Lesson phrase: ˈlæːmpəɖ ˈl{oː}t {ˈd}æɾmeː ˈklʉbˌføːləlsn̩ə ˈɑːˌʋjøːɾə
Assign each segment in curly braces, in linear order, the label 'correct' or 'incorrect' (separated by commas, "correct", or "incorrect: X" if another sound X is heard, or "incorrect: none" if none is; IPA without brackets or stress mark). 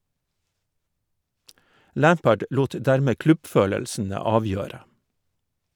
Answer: incorrect: uː, correct